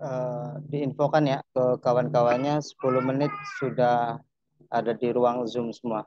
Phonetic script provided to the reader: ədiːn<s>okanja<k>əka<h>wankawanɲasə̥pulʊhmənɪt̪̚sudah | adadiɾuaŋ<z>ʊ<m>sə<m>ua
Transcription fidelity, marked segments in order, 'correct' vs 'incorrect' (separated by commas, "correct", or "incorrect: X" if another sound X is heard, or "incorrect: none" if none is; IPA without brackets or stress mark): incorrect: f, correct, incorrect: none, correct, correct, correct